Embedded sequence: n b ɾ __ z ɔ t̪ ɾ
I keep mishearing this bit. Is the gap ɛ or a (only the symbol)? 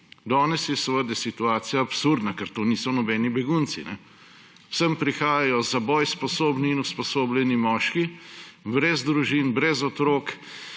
ɛ